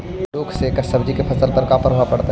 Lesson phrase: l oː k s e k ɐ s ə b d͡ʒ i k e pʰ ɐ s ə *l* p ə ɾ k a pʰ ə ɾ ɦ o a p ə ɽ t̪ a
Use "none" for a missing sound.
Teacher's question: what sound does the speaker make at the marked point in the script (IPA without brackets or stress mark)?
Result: l